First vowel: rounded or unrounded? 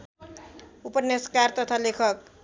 rounded